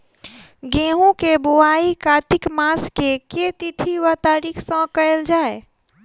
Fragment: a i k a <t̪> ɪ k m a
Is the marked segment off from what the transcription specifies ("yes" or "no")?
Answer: no